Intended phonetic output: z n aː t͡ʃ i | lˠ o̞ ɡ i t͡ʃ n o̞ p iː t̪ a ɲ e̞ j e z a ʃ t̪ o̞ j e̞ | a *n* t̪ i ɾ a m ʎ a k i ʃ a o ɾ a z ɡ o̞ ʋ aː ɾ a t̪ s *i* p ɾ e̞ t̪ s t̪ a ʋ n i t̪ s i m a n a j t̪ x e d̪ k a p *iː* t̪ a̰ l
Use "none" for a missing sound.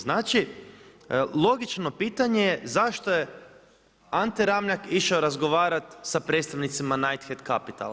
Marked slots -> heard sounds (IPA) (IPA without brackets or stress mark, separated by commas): n, a, i